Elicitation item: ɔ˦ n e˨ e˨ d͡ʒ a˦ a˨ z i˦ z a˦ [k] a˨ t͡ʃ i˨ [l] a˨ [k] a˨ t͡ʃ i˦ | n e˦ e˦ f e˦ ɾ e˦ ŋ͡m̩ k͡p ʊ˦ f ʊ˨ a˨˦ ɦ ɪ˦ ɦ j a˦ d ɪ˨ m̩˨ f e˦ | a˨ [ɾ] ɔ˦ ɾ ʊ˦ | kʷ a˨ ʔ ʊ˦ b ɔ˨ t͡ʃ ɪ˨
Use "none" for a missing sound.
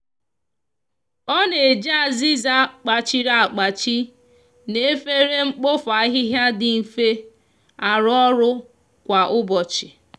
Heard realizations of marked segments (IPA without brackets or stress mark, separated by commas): k͡p, ɾ, k͡p, ɾ